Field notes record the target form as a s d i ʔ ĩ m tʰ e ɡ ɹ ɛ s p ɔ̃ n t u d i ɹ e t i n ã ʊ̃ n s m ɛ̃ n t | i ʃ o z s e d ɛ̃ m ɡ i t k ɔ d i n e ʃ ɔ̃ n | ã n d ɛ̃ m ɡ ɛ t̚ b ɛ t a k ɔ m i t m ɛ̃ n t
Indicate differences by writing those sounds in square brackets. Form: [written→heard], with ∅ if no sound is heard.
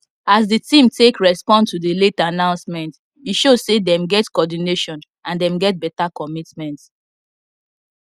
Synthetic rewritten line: a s d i [ʔ→t] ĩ m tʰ e [ɡ→k] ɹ ɛ s p ɔ̃ n t u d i [ɹ→l] e t [i→a] n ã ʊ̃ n s m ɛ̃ n t | i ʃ o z s e d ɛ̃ m ɡ [i→ɛ] t k ɔ d i n e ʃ ɔ̃ n | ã n d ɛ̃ m ɡ ɛ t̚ b ɛ t a k ɔ m i t m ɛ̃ n t